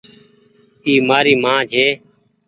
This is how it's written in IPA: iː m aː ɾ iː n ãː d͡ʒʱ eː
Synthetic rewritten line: iː m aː ɾ iː m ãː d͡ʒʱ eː